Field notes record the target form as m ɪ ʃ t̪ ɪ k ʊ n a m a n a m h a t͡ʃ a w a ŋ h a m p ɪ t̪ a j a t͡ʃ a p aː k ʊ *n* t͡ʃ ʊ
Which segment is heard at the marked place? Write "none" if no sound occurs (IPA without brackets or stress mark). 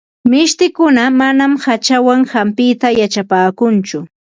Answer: n